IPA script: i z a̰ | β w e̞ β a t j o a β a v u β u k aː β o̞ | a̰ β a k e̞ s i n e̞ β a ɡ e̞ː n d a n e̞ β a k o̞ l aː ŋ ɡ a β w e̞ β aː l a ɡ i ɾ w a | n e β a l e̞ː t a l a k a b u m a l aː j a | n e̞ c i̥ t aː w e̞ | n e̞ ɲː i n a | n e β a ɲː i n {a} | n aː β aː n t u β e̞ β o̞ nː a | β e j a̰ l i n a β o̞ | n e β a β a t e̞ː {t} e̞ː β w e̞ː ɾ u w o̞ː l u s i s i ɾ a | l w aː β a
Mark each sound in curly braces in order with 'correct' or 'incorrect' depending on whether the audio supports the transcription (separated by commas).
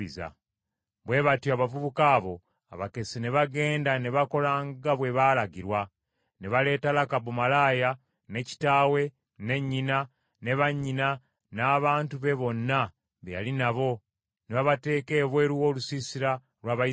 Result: correct, incorrect